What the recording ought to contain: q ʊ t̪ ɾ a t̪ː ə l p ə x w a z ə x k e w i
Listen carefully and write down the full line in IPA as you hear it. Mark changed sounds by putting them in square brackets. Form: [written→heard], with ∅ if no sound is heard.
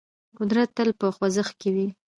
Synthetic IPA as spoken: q ʊ [t̪→d̪] ɾ a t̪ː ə l p ə x w a z ə x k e w i